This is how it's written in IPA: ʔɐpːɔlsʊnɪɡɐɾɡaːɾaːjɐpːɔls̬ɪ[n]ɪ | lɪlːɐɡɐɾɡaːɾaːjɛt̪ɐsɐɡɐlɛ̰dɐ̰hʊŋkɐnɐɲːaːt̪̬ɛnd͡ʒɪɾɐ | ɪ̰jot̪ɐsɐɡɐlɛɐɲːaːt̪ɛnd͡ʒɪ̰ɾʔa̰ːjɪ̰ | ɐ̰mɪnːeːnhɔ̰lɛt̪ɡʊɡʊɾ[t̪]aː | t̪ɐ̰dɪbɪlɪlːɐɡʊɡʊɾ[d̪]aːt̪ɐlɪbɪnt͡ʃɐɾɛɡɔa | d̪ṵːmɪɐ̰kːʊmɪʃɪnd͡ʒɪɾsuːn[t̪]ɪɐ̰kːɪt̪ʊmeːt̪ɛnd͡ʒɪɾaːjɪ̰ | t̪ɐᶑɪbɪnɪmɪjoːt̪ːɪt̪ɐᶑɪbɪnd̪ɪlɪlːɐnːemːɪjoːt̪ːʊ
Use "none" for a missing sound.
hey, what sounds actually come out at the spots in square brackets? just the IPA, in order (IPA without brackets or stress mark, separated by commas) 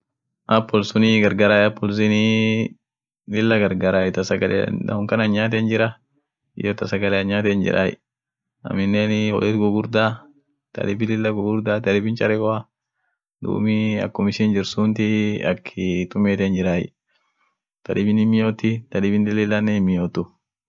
n, d̪, d̪, t̪